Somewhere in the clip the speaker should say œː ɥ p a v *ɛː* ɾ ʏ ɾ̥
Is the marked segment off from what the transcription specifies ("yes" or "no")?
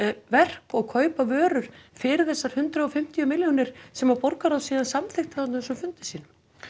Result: yes